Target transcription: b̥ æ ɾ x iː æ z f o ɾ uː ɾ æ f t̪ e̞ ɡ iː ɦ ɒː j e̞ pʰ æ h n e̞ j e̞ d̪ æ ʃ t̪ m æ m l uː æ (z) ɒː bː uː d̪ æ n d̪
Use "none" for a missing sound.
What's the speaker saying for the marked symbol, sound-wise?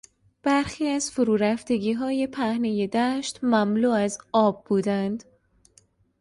z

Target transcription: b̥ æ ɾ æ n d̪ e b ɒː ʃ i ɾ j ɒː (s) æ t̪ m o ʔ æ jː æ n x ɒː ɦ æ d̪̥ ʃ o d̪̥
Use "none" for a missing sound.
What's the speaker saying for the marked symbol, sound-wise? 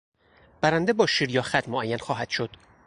x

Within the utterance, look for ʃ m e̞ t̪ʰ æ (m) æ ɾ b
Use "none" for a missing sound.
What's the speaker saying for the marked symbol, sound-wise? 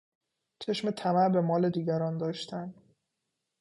m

